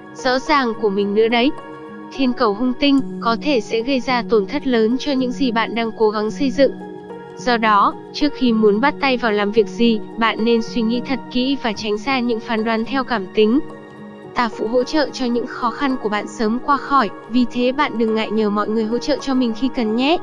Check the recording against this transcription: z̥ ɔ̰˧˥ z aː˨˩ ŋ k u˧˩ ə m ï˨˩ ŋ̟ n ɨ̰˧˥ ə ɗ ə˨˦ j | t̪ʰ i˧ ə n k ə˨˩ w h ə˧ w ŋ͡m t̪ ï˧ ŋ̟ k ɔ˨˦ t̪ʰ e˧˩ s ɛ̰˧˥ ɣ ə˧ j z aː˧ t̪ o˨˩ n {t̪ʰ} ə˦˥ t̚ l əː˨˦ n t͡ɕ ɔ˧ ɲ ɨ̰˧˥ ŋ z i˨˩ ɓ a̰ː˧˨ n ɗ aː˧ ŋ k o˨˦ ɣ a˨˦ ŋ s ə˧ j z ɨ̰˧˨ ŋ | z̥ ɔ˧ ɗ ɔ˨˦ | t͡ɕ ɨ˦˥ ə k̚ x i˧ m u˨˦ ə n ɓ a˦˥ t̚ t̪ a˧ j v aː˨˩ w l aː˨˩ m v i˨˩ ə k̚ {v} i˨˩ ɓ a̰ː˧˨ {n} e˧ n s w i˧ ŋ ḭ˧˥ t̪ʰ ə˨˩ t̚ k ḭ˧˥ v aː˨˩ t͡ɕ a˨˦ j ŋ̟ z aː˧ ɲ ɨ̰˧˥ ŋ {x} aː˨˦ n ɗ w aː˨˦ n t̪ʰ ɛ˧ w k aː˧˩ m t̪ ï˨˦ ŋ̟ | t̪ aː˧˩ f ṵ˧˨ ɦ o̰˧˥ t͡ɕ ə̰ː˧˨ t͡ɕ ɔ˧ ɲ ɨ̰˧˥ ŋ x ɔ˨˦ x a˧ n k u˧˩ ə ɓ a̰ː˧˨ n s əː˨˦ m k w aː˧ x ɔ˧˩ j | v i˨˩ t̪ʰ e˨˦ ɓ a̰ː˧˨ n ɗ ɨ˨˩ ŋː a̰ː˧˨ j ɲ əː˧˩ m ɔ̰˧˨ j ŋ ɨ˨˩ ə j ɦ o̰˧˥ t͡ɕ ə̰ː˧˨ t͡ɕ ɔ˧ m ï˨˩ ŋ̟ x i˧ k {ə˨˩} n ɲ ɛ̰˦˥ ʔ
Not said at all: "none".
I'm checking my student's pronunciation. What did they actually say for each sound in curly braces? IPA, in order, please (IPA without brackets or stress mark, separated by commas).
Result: t̪ʰ, z, nː, f, ə˨˩